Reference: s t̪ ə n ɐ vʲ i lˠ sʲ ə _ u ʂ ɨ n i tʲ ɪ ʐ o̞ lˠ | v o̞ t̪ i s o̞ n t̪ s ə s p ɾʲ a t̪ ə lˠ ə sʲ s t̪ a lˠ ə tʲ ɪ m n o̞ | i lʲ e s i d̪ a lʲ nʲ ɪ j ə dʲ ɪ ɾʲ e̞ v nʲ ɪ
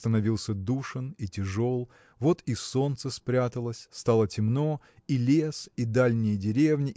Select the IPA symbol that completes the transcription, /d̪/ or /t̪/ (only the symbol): d̪